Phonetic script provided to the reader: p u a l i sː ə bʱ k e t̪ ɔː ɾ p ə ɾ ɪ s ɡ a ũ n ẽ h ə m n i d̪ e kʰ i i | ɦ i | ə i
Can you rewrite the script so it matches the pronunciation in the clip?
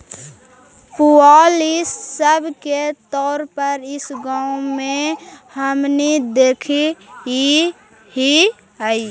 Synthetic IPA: p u a l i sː ə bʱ k e t̪ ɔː ɾ p ə ɾ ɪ s ɡ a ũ m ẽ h ə m n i d̪ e kʰ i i | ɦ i | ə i

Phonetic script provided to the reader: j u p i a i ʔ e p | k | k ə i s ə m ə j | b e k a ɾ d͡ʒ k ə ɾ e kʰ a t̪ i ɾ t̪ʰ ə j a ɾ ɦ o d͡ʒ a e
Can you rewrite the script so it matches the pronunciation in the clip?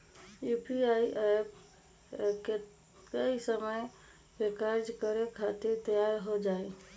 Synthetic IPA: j u p i a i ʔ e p | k | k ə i s ə m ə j | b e k a ɾ d͡ʒ k ə ɾ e kʰ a t̪ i ɾ t̪ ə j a ɾ ɦ o d͡ʒ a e

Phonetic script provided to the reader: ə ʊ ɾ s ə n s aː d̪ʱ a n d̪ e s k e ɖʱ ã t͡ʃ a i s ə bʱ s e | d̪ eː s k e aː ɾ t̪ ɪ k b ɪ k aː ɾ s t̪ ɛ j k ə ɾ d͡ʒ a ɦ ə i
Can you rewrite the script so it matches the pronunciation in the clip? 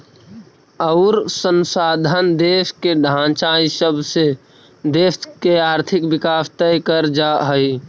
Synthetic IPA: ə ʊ ɾ s ə n s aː d̪ʱ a n d̪ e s k e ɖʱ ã t͡ʃ a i s ə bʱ s e | d̪ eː s k e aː ɾ t̪ʰ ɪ k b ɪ k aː s t̪ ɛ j k ə ɾ d͡ʒ a ɦ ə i

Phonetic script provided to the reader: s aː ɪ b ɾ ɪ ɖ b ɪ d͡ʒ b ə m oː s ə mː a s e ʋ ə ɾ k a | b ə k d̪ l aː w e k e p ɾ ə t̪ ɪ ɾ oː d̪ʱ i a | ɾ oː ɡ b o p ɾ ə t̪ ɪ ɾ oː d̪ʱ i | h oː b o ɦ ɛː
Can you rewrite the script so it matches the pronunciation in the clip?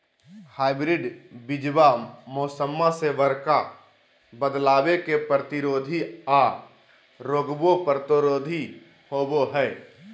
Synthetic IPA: h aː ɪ b ɾ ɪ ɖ b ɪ d͡ʒ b a m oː s ə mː a s e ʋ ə ɾ k a | b ə d̪ l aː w e k e p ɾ ə t̪ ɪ ɾ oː d̪ʱ i a | ɾ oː ɡ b o p ɾ ə t̪ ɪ ɾ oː d̪ʱ i | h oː b o ɦ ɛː

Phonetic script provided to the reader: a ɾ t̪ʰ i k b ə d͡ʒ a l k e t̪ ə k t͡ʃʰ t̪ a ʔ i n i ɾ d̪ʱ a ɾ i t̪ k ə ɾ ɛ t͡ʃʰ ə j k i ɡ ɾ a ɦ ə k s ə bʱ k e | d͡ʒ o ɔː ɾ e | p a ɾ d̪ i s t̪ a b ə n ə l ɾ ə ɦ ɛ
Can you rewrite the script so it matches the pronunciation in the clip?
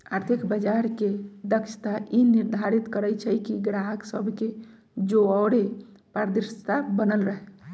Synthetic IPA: a ɾ t̪ʰ i k b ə d͡ʒ a ɾ k e d̪ ə k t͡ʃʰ t̪ a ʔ i n i ɾ d̪ʱ a ɾ i t̪ k ə ɾ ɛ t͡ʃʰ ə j k i ɡ ɾ a ɦ ə k s ə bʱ k e | d͡ʒ o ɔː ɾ e | p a ɾ d̪ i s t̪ a b ə n ə l ɾ ə ɦ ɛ

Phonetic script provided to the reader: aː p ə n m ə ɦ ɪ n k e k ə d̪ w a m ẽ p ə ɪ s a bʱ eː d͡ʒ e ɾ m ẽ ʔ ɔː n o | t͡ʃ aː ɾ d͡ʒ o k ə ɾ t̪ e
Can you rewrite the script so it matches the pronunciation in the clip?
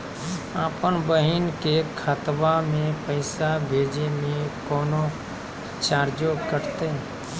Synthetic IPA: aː p ə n b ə ɦ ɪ n k e kʰ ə t̪ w a m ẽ p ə ɪ s a bʱ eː d͡ʒ e m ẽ k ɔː n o | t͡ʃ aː ɾ d͡ʒ o k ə ɾ t̪ e

